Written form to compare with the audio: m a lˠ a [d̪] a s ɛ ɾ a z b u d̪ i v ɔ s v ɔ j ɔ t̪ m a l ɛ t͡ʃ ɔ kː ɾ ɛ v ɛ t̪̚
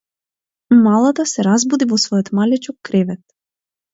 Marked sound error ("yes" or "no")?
yes